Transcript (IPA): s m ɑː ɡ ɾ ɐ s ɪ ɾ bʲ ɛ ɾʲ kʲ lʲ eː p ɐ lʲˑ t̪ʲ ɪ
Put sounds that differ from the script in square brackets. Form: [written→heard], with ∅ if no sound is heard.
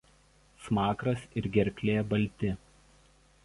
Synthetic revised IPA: s m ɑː [ɡ→k] ɾ ɐ s ɪ ɾ [bʲ→ɡʲ] ɛ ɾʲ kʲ lʲ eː [p→b] ɐ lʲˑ t̪ʲ ɪ